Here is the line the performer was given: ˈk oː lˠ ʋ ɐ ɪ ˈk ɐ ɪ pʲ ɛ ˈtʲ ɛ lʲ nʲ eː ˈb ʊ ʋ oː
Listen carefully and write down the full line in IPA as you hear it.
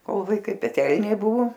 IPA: ˈk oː lˠ ʋ ɐ ɪ ˈk ɐ ɪ pʲ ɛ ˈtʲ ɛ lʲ nʲ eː ˈb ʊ ʋ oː